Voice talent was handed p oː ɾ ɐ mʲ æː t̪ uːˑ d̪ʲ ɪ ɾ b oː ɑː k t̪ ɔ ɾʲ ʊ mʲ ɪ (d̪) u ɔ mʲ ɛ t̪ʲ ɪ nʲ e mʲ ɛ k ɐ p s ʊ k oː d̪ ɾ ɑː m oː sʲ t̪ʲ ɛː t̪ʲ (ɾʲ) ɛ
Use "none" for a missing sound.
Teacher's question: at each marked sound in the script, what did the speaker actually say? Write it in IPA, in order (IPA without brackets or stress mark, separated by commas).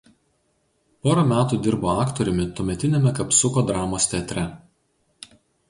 t̪, ɾʲ